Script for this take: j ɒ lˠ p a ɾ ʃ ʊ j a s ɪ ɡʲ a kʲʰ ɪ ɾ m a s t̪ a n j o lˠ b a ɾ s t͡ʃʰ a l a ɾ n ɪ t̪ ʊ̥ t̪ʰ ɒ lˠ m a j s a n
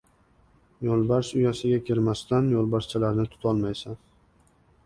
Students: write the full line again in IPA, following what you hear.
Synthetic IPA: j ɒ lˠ b a ɾ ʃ ʊ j a s ɪ ɡʲ a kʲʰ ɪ ɾ m a s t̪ a n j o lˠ b a ɾ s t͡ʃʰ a l a ɾ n ɪ t̪ʰ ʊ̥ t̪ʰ ɒ lˠ m a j s a n